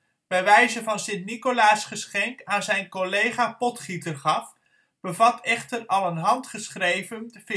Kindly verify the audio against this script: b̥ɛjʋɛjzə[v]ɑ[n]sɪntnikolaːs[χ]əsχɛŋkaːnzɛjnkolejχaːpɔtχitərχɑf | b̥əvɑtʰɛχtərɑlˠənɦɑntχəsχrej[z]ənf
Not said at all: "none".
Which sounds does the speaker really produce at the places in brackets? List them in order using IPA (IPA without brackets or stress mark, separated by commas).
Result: v, n, χ, v